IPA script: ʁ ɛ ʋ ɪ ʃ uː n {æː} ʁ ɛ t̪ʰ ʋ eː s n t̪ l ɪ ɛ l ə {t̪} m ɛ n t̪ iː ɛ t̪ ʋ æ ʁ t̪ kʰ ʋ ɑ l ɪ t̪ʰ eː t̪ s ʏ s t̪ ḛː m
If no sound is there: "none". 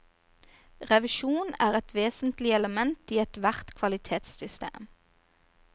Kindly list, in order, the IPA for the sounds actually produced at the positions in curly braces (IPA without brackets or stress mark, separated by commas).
æː, none